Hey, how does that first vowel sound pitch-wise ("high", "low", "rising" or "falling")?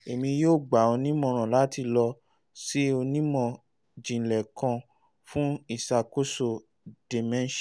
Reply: low